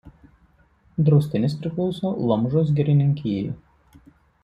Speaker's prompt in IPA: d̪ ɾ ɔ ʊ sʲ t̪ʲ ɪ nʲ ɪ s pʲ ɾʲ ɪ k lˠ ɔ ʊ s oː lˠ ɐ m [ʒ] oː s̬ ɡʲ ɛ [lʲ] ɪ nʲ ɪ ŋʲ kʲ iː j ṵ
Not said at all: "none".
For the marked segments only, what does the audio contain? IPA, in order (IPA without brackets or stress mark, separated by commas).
ʒ, ɾʲ